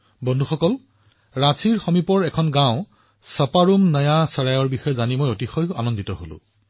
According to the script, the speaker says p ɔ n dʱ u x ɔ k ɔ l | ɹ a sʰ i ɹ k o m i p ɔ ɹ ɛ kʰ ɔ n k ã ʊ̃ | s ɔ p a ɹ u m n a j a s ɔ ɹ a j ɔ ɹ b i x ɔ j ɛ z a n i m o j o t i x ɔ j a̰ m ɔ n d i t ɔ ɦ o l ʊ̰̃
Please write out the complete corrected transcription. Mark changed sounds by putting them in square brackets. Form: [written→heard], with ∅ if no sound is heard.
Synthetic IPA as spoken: [p→b] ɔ n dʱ u x ɔ k ɔ l | ɹ a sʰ i ɹ [k→x] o m i p ɔ ɹ ɛ kʰ ɔ n [k→ɡ] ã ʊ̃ | s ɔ p a ɹ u m n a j a s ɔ ɹ a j ɔ ɹ b i x ɔ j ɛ z a n i m o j o t i x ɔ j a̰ [m→n] ɔ n d i t ɔ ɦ o l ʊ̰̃